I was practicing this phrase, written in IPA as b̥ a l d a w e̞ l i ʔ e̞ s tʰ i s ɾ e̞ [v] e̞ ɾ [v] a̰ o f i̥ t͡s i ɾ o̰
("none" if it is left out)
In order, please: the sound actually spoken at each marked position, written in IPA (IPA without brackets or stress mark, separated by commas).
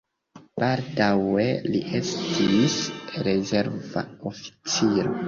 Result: z, v